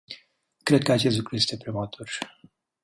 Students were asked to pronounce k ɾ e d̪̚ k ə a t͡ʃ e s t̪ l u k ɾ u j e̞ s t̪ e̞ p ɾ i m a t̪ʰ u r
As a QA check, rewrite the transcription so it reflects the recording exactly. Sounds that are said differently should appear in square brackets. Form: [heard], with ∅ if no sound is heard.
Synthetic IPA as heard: k ɾ e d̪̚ k ə a t͡ʃ e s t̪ l u k ɾ u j e̞ s t̪ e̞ p ɾ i m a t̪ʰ u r